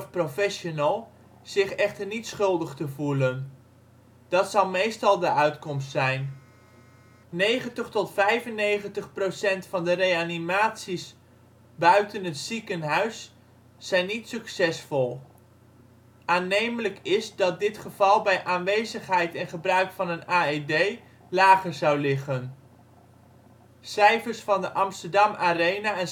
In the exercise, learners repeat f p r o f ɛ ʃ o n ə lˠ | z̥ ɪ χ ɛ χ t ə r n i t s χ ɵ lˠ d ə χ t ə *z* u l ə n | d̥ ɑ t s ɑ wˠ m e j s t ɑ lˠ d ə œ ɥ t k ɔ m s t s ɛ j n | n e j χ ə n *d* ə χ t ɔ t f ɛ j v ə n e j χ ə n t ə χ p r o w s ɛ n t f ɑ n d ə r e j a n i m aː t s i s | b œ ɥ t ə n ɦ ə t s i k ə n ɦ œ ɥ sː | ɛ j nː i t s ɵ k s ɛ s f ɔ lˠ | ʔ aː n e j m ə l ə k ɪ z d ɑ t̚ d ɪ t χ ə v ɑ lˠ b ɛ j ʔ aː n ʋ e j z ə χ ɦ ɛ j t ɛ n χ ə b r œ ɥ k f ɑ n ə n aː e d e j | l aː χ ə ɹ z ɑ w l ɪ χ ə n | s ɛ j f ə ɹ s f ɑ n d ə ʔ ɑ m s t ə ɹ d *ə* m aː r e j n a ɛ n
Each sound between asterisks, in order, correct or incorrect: incorrect, incorrect, incorrect

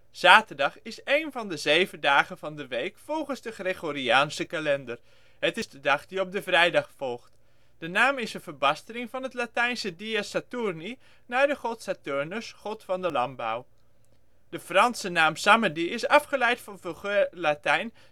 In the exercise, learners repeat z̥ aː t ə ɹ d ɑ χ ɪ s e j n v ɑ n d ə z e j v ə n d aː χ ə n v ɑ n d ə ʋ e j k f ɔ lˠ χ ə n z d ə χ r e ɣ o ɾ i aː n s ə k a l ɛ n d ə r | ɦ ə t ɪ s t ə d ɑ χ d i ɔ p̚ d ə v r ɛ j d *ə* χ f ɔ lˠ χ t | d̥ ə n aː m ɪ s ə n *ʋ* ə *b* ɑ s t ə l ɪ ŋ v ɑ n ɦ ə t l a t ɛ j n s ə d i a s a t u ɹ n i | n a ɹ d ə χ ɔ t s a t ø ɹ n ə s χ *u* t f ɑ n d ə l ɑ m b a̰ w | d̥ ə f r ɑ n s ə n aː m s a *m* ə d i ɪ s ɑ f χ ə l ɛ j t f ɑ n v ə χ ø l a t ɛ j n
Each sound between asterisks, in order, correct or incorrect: incorrect, incorrect, correct, incorrect, correct

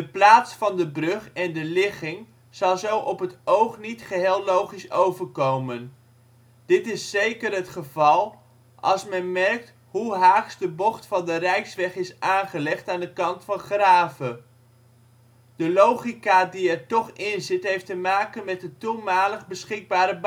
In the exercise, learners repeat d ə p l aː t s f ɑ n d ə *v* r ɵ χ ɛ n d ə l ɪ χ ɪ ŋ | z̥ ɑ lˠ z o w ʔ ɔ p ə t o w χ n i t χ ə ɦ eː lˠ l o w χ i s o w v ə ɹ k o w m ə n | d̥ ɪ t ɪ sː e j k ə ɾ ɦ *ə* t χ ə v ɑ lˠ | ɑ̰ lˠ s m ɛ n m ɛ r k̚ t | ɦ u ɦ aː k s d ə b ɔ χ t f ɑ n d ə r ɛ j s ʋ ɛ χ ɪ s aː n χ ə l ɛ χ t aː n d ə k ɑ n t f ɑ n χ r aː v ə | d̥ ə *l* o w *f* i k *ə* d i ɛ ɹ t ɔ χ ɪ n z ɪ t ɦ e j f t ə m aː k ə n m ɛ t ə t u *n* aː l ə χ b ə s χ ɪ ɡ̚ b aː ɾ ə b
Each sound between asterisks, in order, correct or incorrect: incorrect, correct, correct, incorrect, incorrect, incorrect

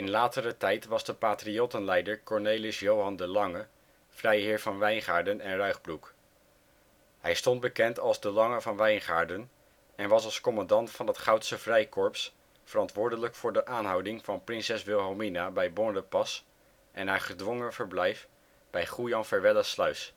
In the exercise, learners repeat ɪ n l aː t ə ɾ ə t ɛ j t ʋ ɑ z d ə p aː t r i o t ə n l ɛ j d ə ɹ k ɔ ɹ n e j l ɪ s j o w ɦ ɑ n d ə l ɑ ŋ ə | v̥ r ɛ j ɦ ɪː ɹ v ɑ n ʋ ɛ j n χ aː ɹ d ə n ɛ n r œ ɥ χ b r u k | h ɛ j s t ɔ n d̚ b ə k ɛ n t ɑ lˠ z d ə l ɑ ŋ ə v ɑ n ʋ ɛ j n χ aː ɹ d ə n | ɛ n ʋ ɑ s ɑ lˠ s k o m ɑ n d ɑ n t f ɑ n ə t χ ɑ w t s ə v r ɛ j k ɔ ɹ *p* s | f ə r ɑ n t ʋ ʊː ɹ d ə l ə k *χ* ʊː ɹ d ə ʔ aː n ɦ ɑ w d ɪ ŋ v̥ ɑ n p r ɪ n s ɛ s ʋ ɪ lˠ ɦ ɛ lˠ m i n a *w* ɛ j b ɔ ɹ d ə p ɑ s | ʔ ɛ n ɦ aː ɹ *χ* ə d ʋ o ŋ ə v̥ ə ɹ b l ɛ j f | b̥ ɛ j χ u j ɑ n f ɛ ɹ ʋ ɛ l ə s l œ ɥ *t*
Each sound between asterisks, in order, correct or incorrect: correct, incorrect, incorrect, correct, incorrect

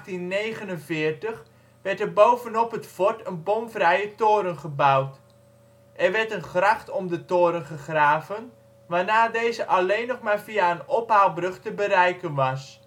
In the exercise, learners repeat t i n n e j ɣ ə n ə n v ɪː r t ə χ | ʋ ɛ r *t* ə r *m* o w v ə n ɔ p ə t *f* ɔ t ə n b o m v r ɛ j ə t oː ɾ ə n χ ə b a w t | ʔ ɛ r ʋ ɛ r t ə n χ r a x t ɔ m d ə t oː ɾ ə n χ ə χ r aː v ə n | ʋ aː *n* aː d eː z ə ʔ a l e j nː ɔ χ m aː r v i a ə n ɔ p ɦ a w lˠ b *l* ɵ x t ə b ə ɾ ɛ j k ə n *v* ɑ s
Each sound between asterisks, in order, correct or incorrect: correct, incorrect, correct, correct, incorrect, incorrect

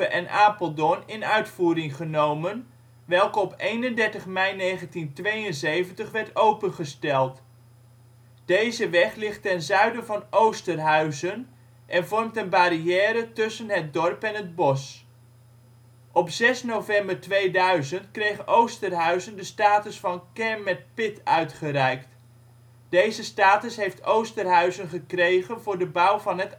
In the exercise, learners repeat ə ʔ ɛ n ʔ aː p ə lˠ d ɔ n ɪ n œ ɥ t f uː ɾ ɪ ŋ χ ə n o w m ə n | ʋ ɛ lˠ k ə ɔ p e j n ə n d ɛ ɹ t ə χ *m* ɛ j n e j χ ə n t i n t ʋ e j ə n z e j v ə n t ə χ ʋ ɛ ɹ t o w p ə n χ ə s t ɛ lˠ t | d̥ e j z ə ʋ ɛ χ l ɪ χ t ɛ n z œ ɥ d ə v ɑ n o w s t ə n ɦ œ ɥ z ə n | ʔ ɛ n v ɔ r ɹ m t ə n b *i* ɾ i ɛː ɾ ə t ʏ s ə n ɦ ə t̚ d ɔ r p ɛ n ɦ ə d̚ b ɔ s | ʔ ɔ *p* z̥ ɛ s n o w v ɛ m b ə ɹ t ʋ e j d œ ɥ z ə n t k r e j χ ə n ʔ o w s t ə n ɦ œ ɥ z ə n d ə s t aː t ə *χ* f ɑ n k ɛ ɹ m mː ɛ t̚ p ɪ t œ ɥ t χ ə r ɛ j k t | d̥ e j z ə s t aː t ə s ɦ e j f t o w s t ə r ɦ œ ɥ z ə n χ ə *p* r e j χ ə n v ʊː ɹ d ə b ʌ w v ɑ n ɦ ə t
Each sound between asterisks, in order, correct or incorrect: correct, incorrect, correct, incorrect, incorrect

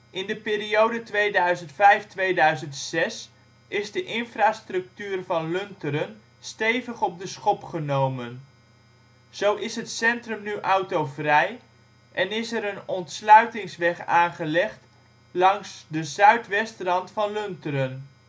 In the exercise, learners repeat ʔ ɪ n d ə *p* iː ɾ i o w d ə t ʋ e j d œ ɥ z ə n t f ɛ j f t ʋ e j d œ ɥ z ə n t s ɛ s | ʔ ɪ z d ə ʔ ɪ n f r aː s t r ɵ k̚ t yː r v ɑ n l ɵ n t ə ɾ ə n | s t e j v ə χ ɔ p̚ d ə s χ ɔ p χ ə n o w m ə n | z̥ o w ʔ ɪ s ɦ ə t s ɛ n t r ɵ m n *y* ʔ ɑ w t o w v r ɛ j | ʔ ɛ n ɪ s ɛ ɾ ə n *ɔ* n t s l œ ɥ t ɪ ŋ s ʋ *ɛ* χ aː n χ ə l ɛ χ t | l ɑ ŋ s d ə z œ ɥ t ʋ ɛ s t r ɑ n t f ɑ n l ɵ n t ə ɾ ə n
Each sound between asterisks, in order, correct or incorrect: correct, correct, correct, correct

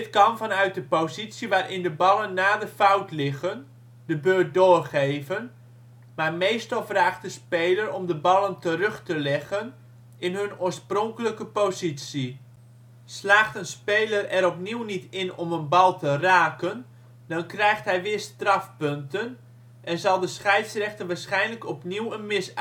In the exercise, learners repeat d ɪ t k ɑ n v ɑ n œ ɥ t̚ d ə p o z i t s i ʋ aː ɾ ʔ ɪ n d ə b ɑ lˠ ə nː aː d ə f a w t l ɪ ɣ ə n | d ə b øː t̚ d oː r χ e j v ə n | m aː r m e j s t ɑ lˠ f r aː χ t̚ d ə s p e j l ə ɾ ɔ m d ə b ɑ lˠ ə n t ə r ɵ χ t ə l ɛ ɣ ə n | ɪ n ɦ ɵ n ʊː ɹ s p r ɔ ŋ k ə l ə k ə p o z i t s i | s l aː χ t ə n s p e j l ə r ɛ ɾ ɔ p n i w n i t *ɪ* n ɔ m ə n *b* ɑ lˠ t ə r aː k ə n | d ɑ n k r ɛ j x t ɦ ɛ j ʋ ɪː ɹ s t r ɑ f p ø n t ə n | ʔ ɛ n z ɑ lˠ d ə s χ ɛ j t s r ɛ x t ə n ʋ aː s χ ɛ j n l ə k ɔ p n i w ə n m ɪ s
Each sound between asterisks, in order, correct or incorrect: correct, correct

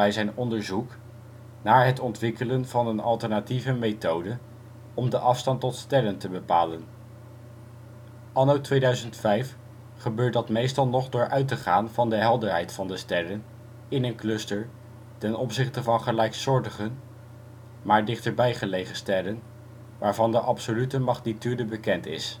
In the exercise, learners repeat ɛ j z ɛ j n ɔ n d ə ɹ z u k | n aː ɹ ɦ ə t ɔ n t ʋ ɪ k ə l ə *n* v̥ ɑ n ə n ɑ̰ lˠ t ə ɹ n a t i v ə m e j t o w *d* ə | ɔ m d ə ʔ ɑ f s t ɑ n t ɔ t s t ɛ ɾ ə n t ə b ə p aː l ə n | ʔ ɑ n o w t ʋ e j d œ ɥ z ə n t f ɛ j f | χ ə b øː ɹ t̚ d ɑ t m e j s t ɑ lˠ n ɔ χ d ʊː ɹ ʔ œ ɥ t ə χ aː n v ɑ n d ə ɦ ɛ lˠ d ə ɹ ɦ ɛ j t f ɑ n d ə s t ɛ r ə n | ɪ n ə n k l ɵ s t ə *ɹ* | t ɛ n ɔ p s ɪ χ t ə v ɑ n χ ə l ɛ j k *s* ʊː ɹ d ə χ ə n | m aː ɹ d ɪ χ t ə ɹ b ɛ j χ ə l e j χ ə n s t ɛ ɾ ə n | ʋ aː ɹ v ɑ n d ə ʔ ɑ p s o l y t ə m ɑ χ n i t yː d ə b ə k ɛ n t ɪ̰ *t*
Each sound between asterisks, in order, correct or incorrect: correct, correct, correct, correct, incorrect

